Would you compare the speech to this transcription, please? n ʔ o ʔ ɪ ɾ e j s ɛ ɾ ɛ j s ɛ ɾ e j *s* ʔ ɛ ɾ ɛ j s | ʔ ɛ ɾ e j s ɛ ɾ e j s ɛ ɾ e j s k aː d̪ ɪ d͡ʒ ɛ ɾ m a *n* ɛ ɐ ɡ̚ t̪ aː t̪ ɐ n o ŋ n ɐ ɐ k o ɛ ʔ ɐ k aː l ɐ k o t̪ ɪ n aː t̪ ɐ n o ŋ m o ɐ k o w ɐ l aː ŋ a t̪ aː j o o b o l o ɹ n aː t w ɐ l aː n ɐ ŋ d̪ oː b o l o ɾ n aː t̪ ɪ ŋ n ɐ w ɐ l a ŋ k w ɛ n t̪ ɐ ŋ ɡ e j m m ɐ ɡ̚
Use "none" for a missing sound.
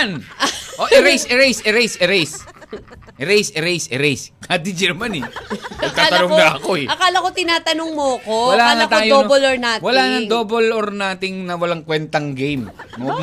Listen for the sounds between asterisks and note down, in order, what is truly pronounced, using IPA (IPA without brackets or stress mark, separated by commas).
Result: s, n